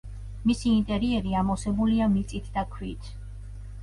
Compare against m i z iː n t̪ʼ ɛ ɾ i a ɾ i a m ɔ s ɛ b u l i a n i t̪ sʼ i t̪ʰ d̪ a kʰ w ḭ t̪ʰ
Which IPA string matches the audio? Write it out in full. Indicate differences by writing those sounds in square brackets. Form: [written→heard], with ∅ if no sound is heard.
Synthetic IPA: m i [z→s] iː n t̪ʼ ɛ ɾ i [a→ɛ] ɾ i a m ɔ s ɛ b u l i a [n→m] i t̪ sʼ i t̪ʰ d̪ a kʰ w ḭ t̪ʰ

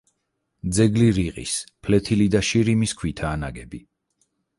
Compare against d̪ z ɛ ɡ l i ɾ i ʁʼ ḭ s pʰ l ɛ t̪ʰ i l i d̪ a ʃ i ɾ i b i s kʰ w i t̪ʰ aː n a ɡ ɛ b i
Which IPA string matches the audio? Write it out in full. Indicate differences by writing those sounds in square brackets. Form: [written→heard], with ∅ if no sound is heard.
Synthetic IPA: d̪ z ɛ ɡ l i ɾ i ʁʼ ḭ s pʰ l ɛ t̪ʰ i l i d̪ a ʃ i ɾ i [b→m] i s kʰ w i t̪ʰ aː n a ɡ ɛ b i

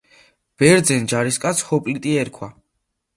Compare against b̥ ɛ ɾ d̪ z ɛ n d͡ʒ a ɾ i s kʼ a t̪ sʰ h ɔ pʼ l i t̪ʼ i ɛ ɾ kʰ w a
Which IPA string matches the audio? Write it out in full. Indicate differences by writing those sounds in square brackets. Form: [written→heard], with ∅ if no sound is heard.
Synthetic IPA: b̥ ɛ ɾ d̪ z ɛ n d͡ʒ a ɾ i s kʼ a t̪ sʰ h ɔ pʼ l i t̪ʼ i ɛ ɾ kʰ w a

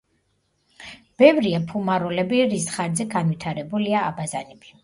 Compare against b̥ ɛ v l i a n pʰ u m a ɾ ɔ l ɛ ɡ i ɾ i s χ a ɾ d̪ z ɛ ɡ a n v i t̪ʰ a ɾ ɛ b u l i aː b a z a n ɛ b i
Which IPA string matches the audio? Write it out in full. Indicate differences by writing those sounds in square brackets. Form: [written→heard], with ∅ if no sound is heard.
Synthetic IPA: b̥ ɛ v [l→ɾ] i a [n→∅] pʰ u m a ɾ ɔ l ɛ [ɡ→b] i ɾ i s χ a ɾ d̪ z ɛ ɡ a n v i t̪ʰ a ɾ ɛ b u l i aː b a z a n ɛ b i

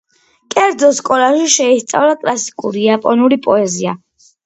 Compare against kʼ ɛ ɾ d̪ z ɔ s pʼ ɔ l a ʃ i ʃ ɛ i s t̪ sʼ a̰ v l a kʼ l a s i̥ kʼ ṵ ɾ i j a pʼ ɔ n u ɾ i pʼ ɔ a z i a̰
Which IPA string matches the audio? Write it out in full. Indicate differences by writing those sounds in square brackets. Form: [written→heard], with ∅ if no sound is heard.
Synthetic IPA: kʼ ɛ ɾ d̪ z ɔ s [pʼ→kʼ] ɔ l a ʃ i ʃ ɛ i s t̪ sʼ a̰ v l a kʼ l a s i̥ kʼ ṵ ɾ i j a pʼ ɔ n u ɾ i pʼ ɔ [a→ɛ] z i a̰

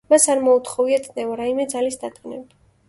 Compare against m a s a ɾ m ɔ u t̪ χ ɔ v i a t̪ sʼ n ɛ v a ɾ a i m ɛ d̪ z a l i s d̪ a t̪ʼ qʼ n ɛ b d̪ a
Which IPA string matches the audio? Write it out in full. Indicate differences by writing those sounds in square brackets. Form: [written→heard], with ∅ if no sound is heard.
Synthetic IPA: m a s a ɾ m ɔ u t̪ χ ɔ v i a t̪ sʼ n ɛ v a ɾ a i m ɛ d̪ z a l i s d̪ a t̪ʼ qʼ n ɛ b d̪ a

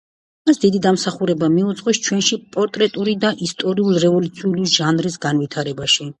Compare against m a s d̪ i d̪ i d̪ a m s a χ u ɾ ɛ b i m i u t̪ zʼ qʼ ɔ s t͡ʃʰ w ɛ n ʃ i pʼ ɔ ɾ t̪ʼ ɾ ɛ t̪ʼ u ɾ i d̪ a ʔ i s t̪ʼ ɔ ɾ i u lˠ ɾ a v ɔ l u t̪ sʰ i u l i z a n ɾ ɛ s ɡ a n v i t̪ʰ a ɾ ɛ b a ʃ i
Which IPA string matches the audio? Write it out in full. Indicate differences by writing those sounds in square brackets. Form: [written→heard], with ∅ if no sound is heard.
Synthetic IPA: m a s d̪ i d̪ i d̪ a m s a χ u ɾ ɛ b [i→a] m i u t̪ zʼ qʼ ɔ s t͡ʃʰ w ɛ n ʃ i pʼ ɔ ɾ t̪ʼ ɾ ɛ t̪ʼ u ɾ i d̪ a ʔ i s t̪ʼ ɔ ɾ i u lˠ ɾ [a→ɛ] v ɔ l u t̪ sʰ i u l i [z→ʒ] a n ɾ [ɛ→i] s ɡ a n v i t̪ʰ a ɾ ɛ b a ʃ i

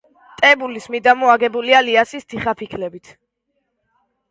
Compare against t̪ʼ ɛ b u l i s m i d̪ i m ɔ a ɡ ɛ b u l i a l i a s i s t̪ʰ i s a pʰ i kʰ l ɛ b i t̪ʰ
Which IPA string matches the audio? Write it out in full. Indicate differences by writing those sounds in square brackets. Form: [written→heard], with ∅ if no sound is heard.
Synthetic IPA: t̪ʼ ɛ b u l i s m i d̪ [i→a] m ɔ a ɡ ɛ b u l i a l i a s i s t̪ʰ i [s→χ] a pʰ i kʰ l ɛ b i t̪ʰ

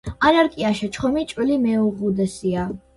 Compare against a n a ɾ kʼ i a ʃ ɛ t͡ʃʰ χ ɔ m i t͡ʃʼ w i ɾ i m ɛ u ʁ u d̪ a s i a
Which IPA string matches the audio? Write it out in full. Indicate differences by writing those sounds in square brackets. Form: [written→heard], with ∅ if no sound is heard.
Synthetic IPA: a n a ɾ kʼ i a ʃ ɛ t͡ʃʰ χ ɔ m i t͡ʃʼ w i [ɾ→l] i m ɛ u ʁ u d̪ [a→ɛ] s i a

